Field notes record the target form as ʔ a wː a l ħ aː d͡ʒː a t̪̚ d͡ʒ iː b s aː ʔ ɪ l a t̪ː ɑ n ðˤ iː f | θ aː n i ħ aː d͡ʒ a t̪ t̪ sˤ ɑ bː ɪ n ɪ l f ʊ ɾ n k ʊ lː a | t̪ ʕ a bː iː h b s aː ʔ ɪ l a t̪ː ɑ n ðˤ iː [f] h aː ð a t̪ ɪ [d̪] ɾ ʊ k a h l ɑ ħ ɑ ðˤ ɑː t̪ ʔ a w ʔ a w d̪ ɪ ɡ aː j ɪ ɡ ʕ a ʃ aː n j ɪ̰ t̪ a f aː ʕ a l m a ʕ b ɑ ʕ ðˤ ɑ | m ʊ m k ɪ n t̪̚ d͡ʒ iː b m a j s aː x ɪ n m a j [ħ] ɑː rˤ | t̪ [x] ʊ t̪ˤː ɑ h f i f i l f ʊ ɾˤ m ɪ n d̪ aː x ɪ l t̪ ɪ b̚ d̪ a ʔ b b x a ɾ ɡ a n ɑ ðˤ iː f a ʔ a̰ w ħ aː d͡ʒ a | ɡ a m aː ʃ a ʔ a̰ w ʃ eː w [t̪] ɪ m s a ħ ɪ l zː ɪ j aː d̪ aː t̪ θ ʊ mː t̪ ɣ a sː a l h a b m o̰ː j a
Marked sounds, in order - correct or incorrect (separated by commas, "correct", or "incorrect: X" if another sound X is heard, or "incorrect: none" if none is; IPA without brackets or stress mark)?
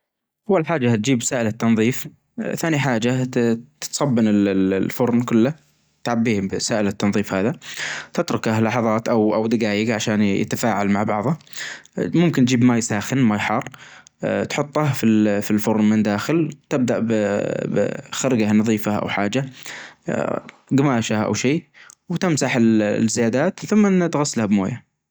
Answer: correct, incorrect: t̪, correct, incorrect: ħ, correct